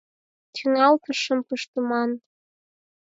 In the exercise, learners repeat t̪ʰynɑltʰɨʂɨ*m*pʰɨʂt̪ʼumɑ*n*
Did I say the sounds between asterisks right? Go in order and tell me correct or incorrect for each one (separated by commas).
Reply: correct, correct